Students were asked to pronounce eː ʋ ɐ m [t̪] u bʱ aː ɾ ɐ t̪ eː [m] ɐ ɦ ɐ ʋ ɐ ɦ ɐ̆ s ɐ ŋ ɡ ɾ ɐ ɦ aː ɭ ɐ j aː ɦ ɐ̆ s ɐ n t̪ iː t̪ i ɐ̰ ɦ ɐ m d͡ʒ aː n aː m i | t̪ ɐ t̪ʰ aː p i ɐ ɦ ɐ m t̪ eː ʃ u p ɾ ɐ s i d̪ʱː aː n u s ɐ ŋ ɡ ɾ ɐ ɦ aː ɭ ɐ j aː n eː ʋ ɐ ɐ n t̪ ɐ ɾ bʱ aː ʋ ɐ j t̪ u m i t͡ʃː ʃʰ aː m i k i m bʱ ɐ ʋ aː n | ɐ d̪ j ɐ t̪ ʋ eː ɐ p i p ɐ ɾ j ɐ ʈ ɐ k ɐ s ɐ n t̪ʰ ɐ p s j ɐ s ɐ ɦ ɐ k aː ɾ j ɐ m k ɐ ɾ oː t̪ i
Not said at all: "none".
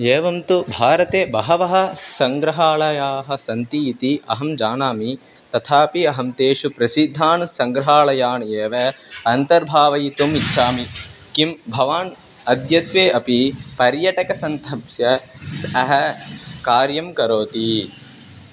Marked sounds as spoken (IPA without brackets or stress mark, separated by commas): t̪, b